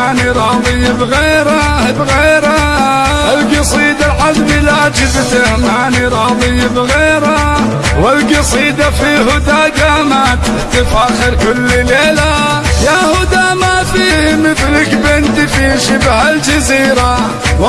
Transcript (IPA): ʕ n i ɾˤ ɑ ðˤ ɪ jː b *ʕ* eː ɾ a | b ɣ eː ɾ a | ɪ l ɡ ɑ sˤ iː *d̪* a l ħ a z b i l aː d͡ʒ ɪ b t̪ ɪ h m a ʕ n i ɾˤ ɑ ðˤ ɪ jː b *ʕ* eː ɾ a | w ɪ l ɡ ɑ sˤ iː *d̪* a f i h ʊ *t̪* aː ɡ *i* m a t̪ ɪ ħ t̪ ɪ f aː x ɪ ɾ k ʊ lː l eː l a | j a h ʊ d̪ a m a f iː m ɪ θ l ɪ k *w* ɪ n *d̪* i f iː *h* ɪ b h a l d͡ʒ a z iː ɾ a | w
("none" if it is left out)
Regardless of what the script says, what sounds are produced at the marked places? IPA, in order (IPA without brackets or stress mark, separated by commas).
ɣ, d̪, ɣ, d̪, d̪, a, b, t̪, ʃ